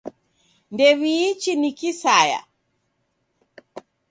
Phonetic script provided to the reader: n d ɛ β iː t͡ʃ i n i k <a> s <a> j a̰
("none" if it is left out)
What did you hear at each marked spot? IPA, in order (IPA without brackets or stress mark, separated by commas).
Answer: i, a